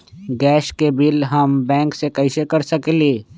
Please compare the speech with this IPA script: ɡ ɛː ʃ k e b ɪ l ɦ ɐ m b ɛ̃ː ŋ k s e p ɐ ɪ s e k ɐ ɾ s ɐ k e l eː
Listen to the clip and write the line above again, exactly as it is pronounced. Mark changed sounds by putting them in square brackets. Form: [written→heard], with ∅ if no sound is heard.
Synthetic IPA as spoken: ɡ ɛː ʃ k e b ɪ l ɦ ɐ m b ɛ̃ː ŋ k s e [p→k] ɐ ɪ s e k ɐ ɾ s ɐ k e l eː